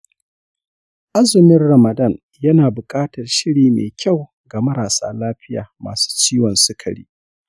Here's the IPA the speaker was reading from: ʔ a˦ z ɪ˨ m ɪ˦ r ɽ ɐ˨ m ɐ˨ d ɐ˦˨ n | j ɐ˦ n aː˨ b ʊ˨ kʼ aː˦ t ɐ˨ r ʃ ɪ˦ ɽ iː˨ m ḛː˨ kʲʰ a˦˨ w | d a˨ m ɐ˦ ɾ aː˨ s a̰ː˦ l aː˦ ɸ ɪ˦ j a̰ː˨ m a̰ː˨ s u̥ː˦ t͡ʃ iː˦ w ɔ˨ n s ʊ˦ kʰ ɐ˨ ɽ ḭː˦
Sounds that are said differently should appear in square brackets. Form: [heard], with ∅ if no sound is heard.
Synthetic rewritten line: ʔ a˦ z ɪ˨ m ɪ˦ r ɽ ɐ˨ m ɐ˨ d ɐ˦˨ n | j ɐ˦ n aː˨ b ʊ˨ kʼ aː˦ t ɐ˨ r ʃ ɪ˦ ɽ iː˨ m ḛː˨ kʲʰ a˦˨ w | [ɡ] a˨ m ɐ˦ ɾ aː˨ s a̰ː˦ l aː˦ ɸ ɪ˦ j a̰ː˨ m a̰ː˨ s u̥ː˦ t͡ʃ iː˦ w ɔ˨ n s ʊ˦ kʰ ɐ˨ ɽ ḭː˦